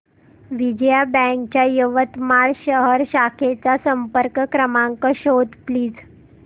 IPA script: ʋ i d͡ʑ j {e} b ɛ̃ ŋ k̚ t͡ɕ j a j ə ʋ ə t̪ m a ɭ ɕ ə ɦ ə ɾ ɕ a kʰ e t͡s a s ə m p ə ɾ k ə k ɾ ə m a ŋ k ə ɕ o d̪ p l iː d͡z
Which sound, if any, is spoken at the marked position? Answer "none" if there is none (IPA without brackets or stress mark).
a